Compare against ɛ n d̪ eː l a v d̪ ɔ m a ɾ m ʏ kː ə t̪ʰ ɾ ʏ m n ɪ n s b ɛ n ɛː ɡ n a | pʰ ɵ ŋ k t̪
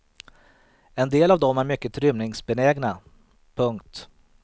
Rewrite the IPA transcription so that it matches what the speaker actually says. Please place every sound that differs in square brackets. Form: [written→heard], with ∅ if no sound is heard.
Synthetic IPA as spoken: ɛ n d̪ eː l a v d̪ ɔ m [a→æ] ɾ m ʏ kː ə t̪ʰ ɾ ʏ m n ɪ [n→ŋ] s b ɛ n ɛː ɡ n a | pʰ ɵ ŋ k t̪

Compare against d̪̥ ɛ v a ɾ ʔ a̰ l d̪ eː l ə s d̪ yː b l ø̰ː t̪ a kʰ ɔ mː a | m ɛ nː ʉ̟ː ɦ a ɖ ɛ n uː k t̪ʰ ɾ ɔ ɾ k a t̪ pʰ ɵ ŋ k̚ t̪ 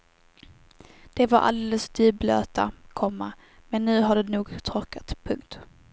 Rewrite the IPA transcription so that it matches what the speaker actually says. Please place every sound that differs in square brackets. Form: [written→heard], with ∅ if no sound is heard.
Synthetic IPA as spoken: d̪̥ ɛ v a ɾ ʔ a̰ l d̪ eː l ə s d̪ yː b l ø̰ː t̪ a kʰ ɔ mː a | m ɛ nː ʉ̟ː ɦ a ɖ ɛ n uː [k→ɡ] t̪ʰ ɾ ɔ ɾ k a t̪ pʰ ɵ ŋ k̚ t̪

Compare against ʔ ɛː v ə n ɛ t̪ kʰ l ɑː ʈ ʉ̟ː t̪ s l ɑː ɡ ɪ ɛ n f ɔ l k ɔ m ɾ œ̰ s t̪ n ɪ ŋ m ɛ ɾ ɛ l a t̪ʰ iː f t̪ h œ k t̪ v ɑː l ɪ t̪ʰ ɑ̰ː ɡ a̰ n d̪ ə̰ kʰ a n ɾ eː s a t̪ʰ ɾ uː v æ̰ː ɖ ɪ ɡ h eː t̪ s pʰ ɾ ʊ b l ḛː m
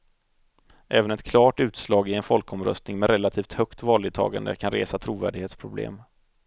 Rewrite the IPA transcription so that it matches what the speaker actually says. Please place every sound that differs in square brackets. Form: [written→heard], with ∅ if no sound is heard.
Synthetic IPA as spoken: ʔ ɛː v ə n ɛ t̪ kʰ l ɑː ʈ ʉ̟ː t̪ s l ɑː ɡ ɪ ɛ n f ɔ l k ɔ m ɾ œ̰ s t̪ n ɪ ŋ m ɛ ɾ ɛ l a t̪ʰ iː f t̪ h œ k t̪ v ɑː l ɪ t̪ʰ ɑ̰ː ɡ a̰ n d̪ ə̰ kʰ a n ɾ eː s a t̪ʰ ɾ uː v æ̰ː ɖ ɪ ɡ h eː t̪ s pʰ ɾ ʊ b l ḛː m

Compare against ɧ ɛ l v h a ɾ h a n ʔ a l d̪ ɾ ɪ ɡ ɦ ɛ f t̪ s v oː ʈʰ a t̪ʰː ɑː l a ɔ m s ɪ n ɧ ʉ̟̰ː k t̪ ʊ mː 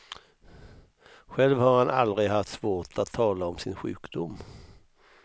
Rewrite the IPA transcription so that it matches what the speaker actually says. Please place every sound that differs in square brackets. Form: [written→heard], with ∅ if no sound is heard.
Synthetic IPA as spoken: ɧ ɛ l v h a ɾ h a n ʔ a l d̪ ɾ ɪ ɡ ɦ [ɛ→a] f t̪ s v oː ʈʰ a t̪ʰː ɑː l a ɔ m s ɪ n ɧ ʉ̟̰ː k [t̪→d̪] ʊ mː

